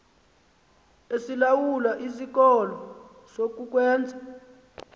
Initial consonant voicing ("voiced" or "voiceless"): voiceless